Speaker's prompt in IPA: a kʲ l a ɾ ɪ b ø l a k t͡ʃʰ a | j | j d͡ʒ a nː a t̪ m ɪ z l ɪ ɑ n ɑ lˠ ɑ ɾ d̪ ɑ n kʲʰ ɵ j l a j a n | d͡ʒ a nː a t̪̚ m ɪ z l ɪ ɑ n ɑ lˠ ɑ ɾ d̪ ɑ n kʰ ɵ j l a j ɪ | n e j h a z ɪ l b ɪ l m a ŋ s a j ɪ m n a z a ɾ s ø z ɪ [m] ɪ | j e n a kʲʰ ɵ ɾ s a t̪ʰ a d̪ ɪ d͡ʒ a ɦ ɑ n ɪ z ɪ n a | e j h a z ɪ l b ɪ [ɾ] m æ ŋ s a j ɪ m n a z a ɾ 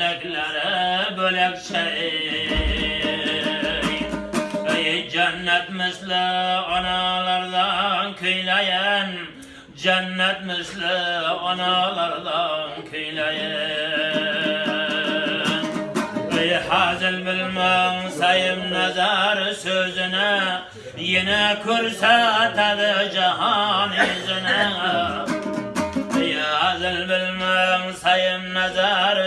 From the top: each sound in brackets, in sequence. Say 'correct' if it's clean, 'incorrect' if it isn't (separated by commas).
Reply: incorrect, incorrect